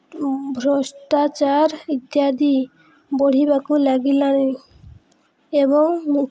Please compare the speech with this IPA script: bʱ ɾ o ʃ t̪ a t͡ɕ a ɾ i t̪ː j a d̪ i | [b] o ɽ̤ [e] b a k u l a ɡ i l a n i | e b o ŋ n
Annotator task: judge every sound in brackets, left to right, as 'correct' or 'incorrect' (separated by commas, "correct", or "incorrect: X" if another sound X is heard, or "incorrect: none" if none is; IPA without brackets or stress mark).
correct, incorrect: i